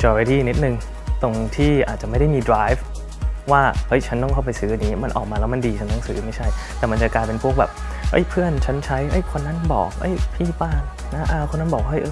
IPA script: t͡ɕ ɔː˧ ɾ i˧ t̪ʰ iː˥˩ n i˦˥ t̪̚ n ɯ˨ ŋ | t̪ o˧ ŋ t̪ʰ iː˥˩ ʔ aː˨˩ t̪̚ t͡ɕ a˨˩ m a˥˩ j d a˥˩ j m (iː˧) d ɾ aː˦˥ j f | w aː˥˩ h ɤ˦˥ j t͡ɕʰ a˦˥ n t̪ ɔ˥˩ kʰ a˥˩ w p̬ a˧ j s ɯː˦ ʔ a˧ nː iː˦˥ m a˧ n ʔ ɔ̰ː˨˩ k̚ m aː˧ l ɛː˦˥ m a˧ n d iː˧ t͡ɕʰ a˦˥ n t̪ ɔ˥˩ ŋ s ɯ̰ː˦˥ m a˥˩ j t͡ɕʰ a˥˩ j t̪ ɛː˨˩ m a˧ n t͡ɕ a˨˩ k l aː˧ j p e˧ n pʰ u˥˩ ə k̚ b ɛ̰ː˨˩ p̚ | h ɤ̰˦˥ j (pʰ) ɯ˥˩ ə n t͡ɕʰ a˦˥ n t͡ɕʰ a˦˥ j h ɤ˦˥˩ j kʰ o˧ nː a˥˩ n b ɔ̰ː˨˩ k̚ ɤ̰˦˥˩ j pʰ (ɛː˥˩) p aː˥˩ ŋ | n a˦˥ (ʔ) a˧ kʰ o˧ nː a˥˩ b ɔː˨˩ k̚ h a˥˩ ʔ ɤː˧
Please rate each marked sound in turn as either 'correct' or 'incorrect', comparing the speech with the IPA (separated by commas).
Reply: correct, correct, incorrect, correct